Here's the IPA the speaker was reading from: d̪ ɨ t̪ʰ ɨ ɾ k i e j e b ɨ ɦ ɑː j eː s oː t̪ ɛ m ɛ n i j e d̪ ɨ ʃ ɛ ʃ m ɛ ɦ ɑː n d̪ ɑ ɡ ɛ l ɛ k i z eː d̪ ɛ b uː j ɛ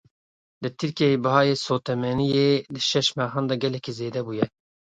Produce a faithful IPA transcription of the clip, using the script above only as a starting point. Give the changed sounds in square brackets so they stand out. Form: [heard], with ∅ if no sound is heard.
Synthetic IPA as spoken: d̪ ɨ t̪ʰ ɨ ɾ k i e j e b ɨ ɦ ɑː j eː s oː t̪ ɛ m ɛ n i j e d̪ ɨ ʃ ɛ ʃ m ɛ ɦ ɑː n d̪ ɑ ɡ ɛ l ɛ k i z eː d̪ ɛ b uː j ɛ